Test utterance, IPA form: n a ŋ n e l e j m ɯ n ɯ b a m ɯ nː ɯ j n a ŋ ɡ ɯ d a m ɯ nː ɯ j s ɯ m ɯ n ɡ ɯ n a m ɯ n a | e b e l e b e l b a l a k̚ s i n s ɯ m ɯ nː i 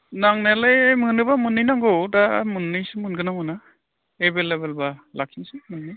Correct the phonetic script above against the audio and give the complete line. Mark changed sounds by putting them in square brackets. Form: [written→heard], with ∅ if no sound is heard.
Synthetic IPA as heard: n a ŋ n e l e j m ɯ n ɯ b a m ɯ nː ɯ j n a ŋ ɡ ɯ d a m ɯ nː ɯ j s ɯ m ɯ n ɡ ɯ n a m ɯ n a | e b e l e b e l b a l a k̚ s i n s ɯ m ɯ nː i